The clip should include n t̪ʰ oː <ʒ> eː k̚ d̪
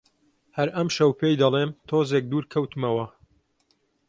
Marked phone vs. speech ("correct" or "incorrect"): incorrect